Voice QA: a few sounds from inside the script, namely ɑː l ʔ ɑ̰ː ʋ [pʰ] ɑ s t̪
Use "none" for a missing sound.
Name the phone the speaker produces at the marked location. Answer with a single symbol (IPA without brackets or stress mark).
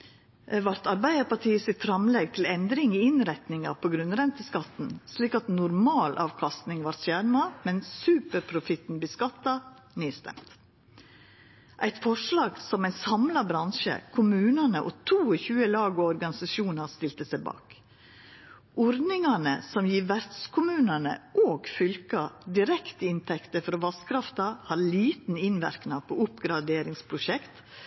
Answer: kʰ